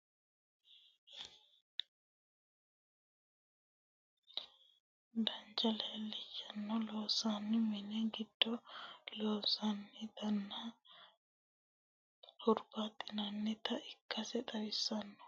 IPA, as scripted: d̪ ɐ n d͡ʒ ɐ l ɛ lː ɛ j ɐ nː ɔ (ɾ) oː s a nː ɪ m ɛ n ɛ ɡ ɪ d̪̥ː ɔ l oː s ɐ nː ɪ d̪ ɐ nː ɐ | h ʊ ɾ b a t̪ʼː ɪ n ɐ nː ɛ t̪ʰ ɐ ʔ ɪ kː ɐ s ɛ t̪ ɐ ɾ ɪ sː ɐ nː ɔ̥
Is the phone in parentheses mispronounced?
yes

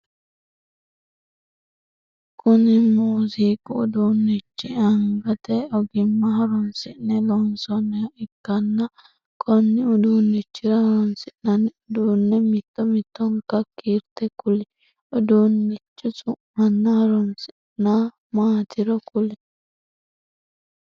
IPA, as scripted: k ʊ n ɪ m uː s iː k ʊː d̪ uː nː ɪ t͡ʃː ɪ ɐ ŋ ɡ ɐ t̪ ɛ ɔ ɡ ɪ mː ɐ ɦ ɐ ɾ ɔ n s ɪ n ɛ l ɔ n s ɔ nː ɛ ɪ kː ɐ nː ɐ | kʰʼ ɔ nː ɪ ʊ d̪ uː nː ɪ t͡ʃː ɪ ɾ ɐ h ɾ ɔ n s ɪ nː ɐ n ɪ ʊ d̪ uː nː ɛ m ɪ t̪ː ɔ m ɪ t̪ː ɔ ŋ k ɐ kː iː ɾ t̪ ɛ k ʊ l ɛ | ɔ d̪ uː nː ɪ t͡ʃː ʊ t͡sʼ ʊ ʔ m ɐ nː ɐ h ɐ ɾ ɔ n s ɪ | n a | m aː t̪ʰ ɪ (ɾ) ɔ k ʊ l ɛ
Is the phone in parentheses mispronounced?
no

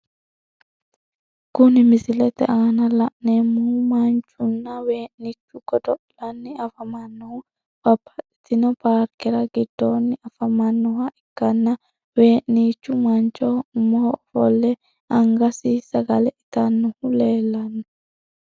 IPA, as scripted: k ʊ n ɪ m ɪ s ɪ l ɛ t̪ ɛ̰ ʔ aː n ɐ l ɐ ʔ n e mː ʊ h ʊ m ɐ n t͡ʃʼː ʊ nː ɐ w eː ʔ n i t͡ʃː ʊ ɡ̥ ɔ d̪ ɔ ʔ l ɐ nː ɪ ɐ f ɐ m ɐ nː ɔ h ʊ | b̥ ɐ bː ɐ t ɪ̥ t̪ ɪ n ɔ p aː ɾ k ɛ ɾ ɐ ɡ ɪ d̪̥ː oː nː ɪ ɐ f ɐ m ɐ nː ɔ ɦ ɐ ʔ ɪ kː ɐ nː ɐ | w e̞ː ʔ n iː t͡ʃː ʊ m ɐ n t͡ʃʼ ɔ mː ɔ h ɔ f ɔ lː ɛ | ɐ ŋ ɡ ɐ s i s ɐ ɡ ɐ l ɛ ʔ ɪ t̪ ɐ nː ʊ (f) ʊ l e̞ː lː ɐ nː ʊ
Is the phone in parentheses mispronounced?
yes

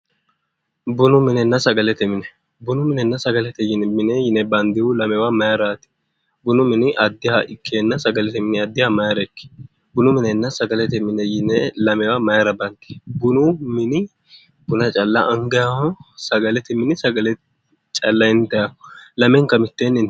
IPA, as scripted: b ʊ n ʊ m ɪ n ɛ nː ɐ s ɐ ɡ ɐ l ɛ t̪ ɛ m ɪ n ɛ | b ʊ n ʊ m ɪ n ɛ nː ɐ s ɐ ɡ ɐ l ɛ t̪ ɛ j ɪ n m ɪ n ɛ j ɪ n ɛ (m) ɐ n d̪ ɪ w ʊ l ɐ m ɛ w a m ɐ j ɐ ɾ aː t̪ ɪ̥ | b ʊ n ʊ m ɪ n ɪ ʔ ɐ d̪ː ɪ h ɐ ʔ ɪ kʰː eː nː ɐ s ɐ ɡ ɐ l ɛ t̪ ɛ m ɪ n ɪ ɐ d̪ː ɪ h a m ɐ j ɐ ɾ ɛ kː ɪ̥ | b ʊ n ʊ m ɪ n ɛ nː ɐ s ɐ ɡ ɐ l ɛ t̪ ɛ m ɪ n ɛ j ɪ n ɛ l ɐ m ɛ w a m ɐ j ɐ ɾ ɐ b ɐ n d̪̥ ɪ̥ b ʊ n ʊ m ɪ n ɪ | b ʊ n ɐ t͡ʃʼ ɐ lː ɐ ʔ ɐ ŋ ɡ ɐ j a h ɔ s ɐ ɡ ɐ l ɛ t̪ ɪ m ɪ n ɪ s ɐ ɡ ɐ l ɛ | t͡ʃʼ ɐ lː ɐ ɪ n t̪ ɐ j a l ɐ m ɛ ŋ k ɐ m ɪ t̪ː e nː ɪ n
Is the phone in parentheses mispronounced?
yes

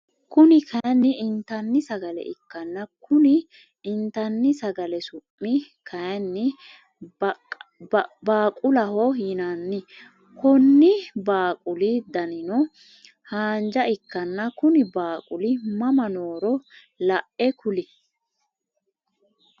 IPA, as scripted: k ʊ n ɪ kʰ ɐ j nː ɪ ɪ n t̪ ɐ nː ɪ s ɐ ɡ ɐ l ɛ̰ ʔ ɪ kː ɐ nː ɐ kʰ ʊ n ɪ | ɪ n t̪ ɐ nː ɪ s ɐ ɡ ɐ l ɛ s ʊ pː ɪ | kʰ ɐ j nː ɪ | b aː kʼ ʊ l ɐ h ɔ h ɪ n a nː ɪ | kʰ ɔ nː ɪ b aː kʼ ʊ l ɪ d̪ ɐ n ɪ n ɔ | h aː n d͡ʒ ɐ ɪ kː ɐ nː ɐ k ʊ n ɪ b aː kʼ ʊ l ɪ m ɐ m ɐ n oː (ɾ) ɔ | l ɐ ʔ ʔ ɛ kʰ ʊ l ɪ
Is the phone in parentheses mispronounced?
no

